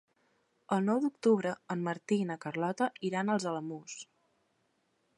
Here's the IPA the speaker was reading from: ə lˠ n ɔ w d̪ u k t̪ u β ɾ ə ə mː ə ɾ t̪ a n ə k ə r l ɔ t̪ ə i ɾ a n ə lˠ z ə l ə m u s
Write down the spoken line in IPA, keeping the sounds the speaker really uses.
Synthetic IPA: ə lˠ n ɔ w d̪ u k t̪ u β ɾ ə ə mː ə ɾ t̪ i n ə k ə r l ɔ t̪ ə i ɾ a n ə lˠ z ə l ə m u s